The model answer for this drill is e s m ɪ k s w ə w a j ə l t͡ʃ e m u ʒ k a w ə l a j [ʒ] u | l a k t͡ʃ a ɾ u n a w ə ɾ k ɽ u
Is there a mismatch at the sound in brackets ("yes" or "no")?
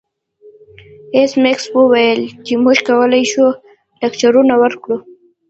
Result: yes